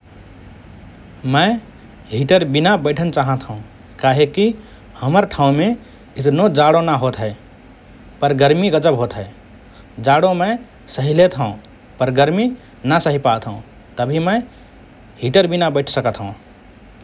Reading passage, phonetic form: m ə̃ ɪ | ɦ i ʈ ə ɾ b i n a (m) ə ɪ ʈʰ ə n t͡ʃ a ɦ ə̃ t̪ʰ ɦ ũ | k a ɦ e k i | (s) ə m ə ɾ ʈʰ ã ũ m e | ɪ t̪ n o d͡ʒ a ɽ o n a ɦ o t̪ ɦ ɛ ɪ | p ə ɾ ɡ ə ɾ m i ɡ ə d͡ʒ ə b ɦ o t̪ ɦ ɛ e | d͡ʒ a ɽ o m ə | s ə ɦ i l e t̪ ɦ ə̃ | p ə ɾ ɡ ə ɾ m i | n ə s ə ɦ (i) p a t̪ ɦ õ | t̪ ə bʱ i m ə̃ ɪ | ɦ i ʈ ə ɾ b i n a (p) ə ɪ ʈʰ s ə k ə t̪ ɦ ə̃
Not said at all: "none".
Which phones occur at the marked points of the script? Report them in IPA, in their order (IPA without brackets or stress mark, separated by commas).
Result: b, h, i, b